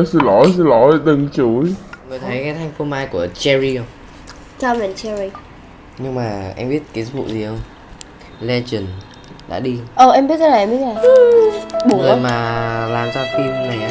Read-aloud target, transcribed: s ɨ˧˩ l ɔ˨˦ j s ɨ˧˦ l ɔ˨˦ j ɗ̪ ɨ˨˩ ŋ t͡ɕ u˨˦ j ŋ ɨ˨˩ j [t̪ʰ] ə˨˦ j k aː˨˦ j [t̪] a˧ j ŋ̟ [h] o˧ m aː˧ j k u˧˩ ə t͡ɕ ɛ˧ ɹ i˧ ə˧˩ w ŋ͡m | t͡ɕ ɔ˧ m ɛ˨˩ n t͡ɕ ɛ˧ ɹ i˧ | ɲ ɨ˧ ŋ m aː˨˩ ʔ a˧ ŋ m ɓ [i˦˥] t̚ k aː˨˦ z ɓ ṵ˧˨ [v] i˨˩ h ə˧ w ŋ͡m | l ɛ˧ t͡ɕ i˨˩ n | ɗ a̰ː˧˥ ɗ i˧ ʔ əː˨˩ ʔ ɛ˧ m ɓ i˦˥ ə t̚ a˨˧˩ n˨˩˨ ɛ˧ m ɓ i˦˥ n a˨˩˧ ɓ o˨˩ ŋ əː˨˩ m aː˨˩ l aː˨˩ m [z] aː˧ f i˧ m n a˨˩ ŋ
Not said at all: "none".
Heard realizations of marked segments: t̪ʰ, t̪ʰ, f, i˦˥, z, z

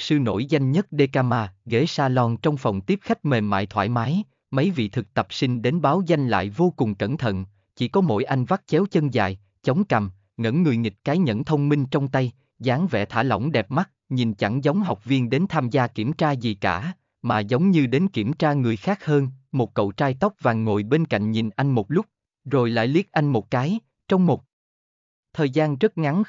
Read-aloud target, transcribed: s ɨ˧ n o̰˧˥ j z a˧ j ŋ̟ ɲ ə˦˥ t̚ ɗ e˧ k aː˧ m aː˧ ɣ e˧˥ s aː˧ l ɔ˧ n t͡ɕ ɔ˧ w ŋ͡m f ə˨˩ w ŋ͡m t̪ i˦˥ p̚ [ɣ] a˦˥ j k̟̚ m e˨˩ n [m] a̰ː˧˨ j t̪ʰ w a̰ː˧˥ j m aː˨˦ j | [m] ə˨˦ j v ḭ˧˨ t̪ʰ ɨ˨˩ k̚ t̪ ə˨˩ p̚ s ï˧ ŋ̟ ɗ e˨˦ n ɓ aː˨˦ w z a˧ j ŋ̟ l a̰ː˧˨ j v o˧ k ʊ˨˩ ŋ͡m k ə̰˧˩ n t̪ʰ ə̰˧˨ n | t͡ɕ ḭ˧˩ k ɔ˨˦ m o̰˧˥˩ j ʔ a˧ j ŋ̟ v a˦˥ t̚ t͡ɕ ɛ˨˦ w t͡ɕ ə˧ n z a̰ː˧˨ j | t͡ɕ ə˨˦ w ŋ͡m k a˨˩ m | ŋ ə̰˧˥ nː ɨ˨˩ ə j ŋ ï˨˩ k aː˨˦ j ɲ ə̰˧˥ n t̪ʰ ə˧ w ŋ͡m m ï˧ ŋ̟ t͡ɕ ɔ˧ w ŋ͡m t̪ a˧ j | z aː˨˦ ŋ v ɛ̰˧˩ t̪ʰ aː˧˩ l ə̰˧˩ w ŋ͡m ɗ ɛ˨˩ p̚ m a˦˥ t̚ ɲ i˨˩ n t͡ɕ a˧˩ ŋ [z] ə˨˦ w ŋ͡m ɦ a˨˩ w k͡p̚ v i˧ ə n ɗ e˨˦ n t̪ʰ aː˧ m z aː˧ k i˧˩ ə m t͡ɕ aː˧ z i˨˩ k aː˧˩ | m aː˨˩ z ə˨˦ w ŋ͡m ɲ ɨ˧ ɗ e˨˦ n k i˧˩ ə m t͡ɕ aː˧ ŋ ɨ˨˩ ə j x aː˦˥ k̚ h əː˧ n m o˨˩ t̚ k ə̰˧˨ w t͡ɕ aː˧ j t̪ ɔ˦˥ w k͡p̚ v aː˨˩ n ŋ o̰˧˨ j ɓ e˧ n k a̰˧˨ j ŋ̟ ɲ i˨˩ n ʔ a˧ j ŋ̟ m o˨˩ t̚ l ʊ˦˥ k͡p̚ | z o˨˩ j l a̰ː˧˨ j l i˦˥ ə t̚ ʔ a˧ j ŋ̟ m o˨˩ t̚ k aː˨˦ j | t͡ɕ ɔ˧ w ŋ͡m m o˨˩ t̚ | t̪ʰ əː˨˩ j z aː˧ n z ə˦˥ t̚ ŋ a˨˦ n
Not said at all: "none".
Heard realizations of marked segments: x, m, m, z

